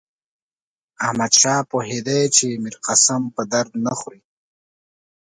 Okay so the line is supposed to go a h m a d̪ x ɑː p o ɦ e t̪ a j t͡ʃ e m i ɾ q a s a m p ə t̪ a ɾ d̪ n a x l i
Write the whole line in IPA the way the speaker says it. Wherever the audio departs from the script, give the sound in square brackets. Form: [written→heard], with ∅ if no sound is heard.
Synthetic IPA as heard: a h m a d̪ [x→ʃ] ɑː p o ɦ e [t̪→d̪] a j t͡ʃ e m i ɾ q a s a m p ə [t̪→d̪] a ɾ d̪ n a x [l→ɾ] i